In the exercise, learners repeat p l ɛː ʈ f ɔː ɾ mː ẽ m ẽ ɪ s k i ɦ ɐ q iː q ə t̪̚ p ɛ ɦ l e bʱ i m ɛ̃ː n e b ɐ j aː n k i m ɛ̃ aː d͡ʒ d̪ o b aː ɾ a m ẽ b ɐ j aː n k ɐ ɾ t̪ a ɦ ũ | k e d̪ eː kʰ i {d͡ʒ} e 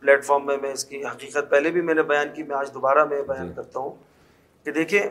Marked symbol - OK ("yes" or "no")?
no